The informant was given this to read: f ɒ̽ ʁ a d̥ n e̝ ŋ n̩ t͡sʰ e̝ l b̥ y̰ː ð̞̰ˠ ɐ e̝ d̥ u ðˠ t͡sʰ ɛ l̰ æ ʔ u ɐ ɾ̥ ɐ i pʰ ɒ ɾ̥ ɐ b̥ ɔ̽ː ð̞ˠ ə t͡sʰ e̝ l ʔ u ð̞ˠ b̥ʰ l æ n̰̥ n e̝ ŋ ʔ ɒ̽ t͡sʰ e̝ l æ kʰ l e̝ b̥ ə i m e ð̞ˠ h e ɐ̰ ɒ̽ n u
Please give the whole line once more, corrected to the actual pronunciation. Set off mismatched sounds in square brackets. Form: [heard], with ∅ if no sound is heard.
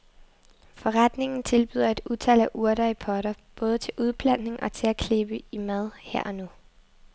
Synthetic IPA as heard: f ɒ̽ ʁ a d̥ n e̝ ŋ n̩ t͡sʰ e̝ l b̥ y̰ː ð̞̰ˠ ɐ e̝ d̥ u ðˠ t͡sʰ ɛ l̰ æ ʔ u ɐ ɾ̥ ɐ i pʰ ɒ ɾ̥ ɐ b̥ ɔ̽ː ð̞ˠ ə t͡sʰ e̝ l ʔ u ð̞ˠ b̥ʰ l æ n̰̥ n e̝ ŋ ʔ ɒ̽ t͡sʰ e̝ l æ kʰ l e̝ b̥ ə i m [æ] ð̞ˠ h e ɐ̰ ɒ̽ n u